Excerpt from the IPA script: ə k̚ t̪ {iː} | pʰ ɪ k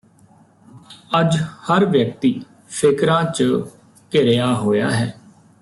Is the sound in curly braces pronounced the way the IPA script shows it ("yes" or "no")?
yes